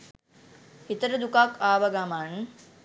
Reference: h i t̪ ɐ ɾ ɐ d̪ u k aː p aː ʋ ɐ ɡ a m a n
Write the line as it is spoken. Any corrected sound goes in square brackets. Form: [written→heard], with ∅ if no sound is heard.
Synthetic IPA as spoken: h i t̪ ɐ ɾ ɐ d̪ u k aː [p→k] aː ʋ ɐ ɡ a m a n